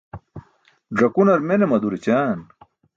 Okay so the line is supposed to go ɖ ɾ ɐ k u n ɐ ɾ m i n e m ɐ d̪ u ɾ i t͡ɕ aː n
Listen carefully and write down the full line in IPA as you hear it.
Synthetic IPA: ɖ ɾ ɐ k u n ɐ ɾ m e n e m ɐ d̪ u ɾ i t͡ɕ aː n